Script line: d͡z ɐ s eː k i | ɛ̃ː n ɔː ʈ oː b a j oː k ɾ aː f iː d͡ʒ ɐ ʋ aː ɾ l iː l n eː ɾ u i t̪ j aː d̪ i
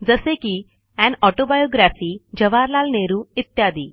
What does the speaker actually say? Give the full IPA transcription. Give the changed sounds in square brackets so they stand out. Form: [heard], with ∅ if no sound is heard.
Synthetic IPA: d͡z ɐ s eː k i | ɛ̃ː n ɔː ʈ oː b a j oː [ɡ] ɾ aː f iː d͡ʒ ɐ ʋ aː ɾ l [aː] l n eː ɾ u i t̪ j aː d̪ i

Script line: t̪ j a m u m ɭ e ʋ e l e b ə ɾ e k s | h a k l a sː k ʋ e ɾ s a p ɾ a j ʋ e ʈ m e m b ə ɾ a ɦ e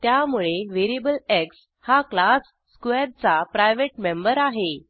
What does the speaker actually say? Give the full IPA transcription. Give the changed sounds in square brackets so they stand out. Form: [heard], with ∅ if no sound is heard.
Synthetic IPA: t̪ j a m u [∅] ɭ e ʋ e [ɾ] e b ə [l] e k s | h a k l a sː k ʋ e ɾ [t͡s] a p ɾ a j ʋ e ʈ m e m b ə ɾ a ɦ e

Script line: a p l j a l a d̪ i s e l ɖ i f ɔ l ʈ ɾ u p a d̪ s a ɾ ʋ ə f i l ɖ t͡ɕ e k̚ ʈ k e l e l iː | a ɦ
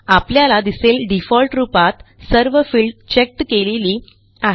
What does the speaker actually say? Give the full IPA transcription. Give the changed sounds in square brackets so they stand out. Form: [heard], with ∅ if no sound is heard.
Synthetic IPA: a p l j a l a d̪ i s e l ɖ i f ɔ l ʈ ɾ u p a [t̪] s [ə] ɾ ʋ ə f i l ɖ t͡ɕ e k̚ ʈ k e l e l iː | a ɦ

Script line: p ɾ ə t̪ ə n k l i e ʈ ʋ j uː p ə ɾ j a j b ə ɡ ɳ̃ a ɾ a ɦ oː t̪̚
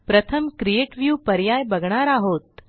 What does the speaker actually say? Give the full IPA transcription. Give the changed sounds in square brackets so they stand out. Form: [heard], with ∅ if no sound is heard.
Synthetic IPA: p ɾ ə [t̪ʰ] ə [m] k [ɾ] i e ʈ ʋ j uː p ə ɾ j a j b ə ɡ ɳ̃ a ɾ a ɦ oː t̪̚

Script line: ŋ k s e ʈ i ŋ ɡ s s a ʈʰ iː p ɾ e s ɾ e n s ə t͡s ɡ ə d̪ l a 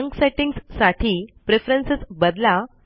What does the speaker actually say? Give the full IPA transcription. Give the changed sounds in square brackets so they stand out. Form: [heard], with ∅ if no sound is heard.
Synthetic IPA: ŋ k s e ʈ i ŋ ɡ s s a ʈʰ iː p ɾ e [f] ɾ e n s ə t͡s [b] ə d̪ l a

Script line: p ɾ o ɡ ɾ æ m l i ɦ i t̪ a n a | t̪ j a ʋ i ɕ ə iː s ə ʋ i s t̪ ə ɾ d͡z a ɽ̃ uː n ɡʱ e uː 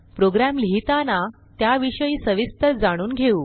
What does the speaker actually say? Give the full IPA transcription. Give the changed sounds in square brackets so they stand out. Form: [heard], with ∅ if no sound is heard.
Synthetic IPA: p ɾ o ɡ ɾ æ m l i ɦ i t̪ a n a | t̪ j a ʋ i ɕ ə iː s ə ʋ i s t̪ ə ɾ d͡z a ɽ̃ uː n ɡʱ e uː

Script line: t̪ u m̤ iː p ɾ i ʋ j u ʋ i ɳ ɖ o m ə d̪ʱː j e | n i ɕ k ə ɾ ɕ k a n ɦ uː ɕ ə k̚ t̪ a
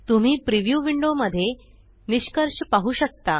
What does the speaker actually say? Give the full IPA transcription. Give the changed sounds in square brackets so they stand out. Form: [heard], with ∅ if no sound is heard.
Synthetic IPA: t̪ u m̤ iː p ɾ i ʋ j u ʋ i ɳ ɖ o m ə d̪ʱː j e | n i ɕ k ə ɾ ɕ [p] a [∅] ɦ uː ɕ ə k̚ t̪ a

